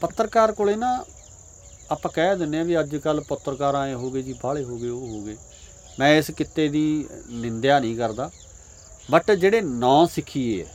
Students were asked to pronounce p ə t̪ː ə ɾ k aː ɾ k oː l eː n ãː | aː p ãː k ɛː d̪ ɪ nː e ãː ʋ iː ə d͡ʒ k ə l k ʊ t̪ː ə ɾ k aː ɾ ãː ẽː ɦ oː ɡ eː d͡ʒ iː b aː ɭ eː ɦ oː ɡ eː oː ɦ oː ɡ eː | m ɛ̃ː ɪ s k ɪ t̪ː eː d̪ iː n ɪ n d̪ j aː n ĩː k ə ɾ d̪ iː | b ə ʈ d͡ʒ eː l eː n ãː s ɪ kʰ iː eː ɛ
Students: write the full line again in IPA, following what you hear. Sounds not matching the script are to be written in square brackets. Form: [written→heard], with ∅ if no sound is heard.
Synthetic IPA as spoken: p ə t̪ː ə ɾ k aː ɾ k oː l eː n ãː | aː p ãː k ɛː d̪ ɪ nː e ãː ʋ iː ə d͡ʒ k ə l [k→p] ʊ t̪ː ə ɾ k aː ɾ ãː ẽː ɦ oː ɡ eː d͡ʒ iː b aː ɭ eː ɦ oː ɡ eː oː ɦ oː ɡ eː | m ɛ̃ː ɪ s k ɪ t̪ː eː d̪ iː n ɪ n d̪ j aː n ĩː k ə ɾ d̪ [iː→aː] | b ə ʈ d͡ʒ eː [l→ɽ] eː n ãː s ɪ kʰ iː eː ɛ